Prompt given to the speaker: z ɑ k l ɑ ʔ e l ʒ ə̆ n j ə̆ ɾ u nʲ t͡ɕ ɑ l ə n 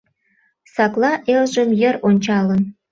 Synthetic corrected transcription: s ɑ k l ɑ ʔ e l ʒ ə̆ m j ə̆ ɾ o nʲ t͡ɕ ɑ l ə n